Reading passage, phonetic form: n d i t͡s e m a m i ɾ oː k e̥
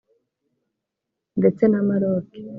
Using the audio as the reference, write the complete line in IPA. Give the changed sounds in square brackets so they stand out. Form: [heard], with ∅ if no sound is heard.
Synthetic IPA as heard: n d [e] t͡s e [n] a m [a] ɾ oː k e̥